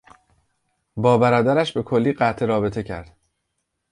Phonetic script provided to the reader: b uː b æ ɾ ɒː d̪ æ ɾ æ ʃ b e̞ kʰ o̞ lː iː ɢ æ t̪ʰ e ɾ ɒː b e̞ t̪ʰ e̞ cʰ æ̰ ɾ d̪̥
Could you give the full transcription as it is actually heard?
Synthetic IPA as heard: b ɒː b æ ɾ ɒː d̪ æ ɾ æ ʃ b e̞ kʰ o̞ lː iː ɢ æ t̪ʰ e ɾ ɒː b e̞ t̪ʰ e̞ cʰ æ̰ ɾ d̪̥